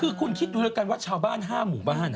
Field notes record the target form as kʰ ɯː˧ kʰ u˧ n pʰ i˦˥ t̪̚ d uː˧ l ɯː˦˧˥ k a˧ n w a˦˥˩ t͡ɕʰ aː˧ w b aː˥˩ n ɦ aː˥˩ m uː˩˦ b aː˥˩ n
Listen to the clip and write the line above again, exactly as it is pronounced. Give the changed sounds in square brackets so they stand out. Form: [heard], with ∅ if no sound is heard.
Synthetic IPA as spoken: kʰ ɯː˧ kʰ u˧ n [kʰ] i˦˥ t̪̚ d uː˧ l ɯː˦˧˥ k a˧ n w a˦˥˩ t͡ɕʰ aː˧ w b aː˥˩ n ɦ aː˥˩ m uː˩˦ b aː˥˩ n